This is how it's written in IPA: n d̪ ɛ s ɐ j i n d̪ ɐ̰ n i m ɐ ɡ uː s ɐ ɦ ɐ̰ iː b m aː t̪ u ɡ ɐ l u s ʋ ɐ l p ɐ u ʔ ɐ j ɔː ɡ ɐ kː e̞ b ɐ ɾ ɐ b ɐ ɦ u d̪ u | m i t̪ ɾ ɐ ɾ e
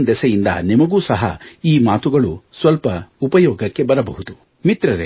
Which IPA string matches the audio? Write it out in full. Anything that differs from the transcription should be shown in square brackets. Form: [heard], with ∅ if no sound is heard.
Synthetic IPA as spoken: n d̪ ɛ s ɐ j i n d̪ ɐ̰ n i m ɐ ɡ uː s ɐ ɦ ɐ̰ iː [∅] m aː t̪ u ɡ ɐ [ɭ] u s ʋ ɐ l p ɐ u [p] ɐ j ɔː ɡ ɐ kː e̞ b ɐ ɾ ɐ b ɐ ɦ u d̪ u | m i t̪ ɾ ɐ ɾ e